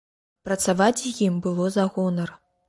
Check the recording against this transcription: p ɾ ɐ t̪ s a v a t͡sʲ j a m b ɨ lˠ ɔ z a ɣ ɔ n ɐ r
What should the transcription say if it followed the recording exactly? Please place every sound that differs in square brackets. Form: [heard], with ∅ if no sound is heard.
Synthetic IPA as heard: p ɾ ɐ t̪ s a v a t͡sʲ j [i] m b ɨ lˠ ɔ z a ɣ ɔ n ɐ r